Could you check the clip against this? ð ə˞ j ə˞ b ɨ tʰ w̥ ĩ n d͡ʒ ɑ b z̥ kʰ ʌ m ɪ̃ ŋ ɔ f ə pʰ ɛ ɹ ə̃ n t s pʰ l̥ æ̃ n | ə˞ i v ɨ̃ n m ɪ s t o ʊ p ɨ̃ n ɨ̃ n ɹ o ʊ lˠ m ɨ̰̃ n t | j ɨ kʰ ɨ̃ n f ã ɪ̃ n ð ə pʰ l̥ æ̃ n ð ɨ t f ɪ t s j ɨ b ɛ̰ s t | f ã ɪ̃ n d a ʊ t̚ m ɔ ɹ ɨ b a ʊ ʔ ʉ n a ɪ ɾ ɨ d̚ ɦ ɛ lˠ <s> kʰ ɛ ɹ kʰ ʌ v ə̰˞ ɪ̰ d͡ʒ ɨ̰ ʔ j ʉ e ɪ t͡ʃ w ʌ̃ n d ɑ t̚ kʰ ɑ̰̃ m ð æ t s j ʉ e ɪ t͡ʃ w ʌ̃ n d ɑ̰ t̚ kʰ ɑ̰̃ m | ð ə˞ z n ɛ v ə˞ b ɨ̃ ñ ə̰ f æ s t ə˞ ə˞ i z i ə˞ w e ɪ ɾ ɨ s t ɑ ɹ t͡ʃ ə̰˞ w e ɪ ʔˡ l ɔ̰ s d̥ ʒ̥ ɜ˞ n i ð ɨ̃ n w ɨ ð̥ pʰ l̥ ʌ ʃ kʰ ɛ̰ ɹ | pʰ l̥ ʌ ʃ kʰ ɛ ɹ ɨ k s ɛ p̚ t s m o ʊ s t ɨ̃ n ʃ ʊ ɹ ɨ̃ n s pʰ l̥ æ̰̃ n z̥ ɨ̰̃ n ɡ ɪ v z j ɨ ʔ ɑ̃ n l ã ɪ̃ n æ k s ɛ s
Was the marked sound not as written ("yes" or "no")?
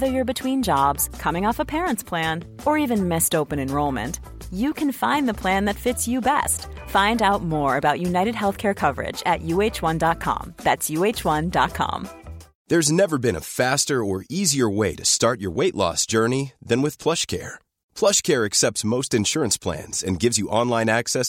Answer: yes